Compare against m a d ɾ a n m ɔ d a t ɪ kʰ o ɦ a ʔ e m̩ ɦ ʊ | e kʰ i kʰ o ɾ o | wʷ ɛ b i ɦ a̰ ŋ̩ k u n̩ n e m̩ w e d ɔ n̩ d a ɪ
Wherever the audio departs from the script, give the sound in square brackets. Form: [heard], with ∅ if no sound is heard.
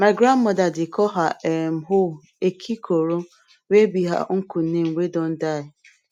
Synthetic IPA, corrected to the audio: m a [ɡ] ɾ a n m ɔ d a [d] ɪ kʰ [ɔ] ɦ a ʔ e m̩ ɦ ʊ | e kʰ i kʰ o ɾ o | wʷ [e] b i ɦ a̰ ŋ̩ k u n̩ n e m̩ w e d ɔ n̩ d a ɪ